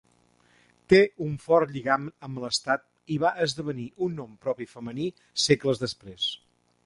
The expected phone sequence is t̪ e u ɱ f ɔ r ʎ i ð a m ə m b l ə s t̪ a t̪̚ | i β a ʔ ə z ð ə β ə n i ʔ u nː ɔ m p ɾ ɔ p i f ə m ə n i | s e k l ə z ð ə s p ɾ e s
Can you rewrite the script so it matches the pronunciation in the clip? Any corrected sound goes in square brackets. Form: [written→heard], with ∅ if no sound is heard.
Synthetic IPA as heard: t̪ e u ɱ f ɔ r ʎ i [ð→ɣ] a m ə m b l ə s t̪ a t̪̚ | i β a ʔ ə z ð ə β ə n i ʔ u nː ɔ m p ɾ ɔ p i f ə m ə n i | s e k l ə z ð ə s p ɾ e s